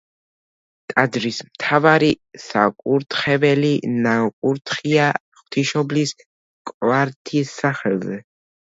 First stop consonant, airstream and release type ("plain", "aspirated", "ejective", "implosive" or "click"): ejective